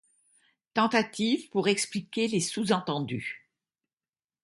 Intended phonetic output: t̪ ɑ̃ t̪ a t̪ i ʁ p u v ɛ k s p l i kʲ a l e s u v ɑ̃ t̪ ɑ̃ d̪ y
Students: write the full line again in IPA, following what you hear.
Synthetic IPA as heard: t̪ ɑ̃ t̪ a t̪ i v p u ʁ ɛ k s p l i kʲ e l e s u z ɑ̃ t̪ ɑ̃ d̪ y